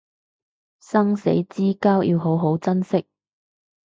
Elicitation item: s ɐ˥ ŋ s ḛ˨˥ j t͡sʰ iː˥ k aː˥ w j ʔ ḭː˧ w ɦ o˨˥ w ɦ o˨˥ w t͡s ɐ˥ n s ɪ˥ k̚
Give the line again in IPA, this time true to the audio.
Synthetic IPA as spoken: s ɐ˥ ŋ s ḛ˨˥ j t͡s iː˥ k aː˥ w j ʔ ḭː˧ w ɦ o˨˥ w ɦ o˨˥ w t͡s ɐ˥ n s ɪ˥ k̚